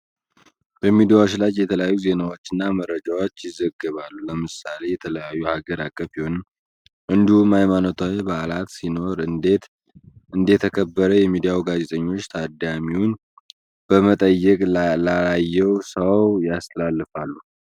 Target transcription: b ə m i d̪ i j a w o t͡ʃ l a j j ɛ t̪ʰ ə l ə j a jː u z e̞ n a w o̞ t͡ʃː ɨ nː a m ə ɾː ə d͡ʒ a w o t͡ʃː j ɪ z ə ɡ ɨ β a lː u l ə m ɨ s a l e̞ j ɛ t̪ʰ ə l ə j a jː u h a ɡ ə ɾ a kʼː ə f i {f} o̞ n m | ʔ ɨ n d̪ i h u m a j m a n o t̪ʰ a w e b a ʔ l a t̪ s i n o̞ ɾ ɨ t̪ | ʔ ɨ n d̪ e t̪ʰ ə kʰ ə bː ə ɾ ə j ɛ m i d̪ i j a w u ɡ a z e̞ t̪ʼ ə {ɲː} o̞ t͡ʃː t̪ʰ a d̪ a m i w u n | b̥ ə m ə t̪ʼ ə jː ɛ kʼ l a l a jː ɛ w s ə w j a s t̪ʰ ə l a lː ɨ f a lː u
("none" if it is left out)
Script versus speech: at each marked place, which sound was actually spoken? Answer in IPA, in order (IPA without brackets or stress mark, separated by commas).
h, ɲː